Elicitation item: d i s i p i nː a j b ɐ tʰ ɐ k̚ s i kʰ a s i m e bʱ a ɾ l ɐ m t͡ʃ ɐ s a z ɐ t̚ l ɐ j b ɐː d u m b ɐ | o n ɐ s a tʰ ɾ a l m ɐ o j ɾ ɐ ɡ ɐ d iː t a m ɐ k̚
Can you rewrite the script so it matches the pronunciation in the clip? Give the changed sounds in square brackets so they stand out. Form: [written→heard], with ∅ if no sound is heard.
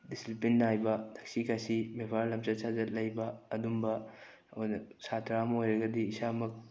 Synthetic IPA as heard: d i s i p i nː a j b ɐ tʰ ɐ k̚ s i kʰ a s i m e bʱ a ɾ l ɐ m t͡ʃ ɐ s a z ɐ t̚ l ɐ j b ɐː d u m b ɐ | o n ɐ s a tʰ ɾ a [l→∅] m ɐ o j ɾ ɐ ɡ ɐ d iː [t→s] a m ɐ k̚